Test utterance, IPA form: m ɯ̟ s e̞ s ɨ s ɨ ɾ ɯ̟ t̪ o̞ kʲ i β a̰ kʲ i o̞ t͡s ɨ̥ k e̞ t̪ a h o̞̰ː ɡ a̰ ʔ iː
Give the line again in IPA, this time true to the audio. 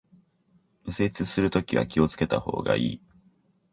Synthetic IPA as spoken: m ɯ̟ s e̞ t͡s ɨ s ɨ ɾ ɯ̟ t̪ o̞ kʲ i β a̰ kʲ i o̞ t͡s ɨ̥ k e̞ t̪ a h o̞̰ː ɡ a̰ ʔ iː